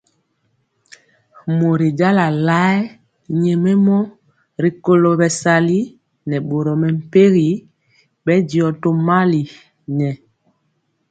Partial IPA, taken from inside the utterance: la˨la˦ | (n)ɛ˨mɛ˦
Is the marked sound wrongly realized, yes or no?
yes